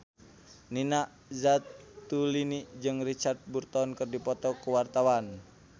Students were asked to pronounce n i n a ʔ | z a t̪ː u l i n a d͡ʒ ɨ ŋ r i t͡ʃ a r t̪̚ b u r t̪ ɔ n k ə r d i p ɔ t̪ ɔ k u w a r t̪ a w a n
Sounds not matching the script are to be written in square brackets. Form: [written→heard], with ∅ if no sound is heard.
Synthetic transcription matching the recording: n i n a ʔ | z a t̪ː u l i n [a→i] d͡ʒ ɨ ŋ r i t͡ʃ a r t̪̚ b u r t̪ ɔ n k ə r d i p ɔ t̪ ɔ k u w a r t̪ a w a n